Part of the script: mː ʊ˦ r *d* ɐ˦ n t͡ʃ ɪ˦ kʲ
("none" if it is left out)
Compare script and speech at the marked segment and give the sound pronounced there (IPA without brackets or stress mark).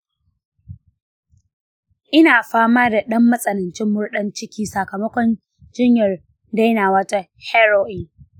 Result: ɗ